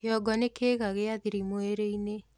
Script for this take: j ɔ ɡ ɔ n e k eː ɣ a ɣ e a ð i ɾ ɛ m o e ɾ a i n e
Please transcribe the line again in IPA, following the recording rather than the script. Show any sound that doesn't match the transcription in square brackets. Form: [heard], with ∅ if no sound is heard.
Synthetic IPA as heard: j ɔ ɡ ɔ n e k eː ɣ a ɣ e a ð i ɾ [i] m o e ɾ [e] i n e